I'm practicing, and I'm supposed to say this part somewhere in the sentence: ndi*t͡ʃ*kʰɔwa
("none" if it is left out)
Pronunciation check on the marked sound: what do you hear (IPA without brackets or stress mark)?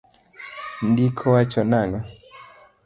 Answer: none